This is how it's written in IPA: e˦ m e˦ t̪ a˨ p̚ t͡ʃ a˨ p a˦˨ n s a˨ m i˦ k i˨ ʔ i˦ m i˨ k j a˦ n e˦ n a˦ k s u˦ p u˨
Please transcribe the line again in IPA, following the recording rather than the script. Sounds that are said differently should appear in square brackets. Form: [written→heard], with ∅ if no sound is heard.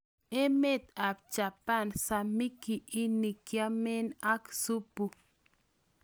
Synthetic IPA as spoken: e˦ m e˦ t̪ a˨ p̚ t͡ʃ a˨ p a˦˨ n s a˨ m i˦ k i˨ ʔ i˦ [m→n] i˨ k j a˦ [n→m] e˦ n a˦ k s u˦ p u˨